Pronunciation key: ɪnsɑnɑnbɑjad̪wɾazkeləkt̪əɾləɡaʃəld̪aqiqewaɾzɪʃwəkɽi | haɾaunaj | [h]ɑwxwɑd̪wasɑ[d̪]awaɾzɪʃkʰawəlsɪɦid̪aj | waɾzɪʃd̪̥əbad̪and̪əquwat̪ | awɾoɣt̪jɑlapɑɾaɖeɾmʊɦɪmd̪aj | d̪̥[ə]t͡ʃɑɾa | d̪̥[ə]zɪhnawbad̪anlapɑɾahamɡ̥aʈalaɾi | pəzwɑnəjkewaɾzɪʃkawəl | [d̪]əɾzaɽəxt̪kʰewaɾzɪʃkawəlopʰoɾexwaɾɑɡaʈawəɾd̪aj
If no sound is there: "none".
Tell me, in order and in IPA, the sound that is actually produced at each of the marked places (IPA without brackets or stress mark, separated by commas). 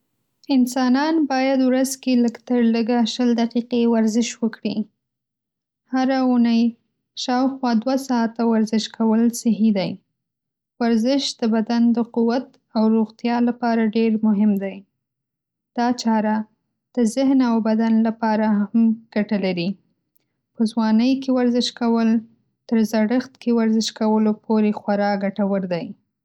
ʃ, t̪, ɑ, ə, t̪